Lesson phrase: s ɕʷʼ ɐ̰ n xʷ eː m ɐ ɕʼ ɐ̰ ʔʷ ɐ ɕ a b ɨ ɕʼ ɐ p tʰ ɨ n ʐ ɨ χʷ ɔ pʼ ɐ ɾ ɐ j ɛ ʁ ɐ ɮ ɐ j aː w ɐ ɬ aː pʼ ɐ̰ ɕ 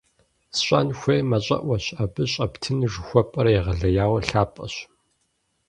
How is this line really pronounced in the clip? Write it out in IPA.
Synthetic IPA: s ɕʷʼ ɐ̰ n xʷ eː m ɐ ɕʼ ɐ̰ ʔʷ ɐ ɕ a b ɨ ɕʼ ɐ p tʰ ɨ n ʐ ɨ xʷ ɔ pʼ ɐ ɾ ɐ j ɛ ʁ ɐ ɮ ɐ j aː w ɐ ɬ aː pʼ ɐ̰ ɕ